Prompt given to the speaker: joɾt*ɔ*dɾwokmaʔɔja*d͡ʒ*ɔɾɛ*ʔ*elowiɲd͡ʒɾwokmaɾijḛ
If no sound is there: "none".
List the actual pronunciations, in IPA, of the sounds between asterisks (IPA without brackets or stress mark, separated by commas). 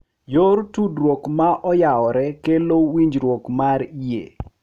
u, none, k